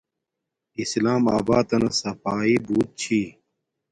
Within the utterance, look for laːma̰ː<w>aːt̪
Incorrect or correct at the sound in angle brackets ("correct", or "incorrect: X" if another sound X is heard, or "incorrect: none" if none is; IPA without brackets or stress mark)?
incorrect: b